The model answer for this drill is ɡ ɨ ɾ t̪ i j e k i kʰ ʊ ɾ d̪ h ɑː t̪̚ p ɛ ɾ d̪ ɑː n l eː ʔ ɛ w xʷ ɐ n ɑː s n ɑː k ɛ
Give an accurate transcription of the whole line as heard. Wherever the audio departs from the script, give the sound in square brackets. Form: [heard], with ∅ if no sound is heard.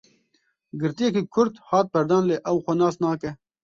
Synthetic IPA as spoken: ɡ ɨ ɾ t̪ i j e k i kʰ ʊ ɾ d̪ h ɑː t̪̚ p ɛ ɾ d̪ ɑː n l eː ʔ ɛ w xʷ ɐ n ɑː s n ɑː k ɛ